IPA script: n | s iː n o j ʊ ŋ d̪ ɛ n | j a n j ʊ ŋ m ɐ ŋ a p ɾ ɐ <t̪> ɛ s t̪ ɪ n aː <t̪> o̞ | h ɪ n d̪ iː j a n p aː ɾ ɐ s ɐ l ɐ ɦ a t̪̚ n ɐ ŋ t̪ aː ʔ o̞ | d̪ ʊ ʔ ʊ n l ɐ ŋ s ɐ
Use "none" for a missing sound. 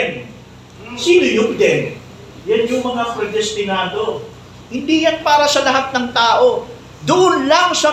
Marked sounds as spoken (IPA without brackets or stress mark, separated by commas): d̪, d̪